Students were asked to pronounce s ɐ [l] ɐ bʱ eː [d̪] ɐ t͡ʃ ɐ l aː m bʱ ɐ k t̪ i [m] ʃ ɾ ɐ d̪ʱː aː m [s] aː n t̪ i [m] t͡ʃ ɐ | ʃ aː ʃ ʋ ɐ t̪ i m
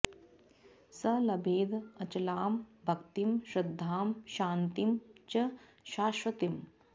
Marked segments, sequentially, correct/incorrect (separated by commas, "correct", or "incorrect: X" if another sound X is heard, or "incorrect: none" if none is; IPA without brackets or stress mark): correct, correct, correct, incorrect: ʃ, correct